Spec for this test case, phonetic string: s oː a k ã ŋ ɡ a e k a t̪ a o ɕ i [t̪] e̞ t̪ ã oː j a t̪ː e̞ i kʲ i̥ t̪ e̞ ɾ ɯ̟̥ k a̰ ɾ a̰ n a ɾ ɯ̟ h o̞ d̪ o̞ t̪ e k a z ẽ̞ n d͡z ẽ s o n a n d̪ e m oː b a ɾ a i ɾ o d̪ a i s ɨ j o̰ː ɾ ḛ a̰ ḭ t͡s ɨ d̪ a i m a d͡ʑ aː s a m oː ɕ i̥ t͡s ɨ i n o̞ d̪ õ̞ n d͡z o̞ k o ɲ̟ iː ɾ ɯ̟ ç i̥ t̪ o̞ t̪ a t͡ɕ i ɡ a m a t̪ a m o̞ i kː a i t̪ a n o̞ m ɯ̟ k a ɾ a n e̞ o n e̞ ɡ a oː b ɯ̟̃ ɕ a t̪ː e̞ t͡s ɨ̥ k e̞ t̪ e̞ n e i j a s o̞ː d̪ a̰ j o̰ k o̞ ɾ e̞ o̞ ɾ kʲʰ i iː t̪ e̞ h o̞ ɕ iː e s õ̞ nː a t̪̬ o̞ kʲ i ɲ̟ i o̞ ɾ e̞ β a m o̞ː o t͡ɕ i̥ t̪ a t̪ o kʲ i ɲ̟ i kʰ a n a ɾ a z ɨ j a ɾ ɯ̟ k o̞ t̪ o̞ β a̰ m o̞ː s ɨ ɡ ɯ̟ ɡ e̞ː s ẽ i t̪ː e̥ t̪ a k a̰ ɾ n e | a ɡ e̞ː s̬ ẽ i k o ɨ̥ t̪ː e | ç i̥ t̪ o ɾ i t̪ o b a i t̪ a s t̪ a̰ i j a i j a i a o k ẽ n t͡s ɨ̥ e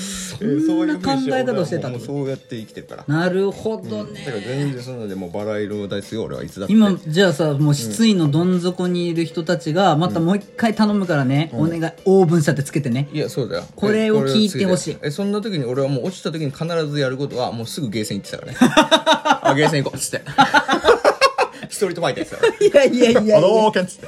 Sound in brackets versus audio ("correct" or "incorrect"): correct